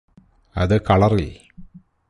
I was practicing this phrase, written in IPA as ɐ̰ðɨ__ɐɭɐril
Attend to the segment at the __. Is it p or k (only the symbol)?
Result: k